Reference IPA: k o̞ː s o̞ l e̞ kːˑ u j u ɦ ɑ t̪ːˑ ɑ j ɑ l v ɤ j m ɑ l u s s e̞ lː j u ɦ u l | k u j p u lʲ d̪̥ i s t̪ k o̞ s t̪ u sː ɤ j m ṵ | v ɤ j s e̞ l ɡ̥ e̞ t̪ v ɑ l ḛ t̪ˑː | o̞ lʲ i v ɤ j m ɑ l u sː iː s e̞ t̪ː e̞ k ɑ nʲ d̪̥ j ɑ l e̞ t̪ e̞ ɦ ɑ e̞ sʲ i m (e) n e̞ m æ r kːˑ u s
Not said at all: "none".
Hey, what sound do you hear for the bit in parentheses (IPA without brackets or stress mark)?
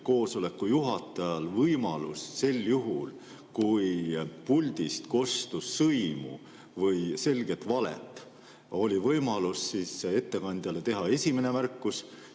e